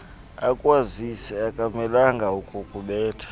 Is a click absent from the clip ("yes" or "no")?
yes